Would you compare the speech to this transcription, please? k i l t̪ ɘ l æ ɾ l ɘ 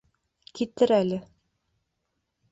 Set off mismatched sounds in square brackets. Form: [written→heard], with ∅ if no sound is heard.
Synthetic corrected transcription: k i [l→∅] t̪ ɘ [l→ɾ] æ [ɾ→∅] l ɘ

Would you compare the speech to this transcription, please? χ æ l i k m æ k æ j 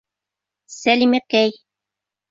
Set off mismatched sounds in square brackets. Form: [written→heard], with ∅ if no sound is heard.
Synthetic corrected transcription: [χ→s] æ l i [k→∅] m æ k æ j

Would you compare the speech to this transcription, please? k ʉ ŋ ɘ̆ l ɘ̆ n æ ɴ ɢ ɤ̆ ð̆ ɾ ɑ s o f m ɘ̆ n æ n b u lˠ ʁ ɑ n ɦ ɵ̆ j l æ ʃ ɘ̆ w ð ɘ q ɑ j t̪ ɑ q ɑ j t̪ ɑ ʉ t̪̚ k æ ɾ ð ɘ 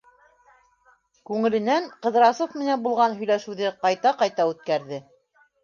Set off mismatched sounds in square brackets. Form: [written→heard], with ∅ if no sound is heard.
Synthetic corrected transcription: k ʉ ŋ ɘ̆ l ɘ̆ n æ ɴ [ɢ→q] ɤ̆ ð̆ ɾ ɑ s o f m ɘ̆ n æ n b u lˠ ʁ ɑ n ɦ ɵ̆ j l æ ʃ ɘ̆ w ð ɘ q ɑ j t̪ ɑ q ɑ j t̪ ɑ ʉ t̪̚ k æ ɾ ð ɘ

